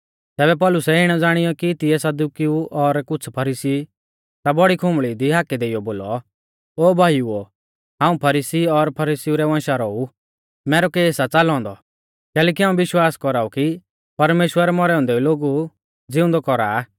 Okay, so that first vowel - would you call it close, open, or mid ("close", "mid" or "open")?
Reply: mid